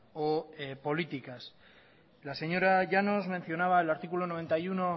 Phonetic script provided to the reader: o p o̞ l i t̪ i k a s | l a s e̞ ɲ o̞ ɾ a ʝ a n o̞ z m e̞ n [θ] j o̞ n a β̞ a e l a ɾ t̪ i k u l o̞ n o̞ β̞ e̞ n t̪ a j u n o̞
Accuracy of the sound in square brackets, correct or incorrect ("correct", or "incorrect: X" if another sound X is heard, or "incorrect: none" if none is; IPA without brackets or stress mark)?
correct